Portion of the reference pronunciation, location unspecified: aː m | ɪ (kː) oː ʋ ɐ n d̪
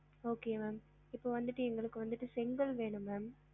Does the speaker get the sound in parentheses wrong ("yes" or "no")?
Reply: yes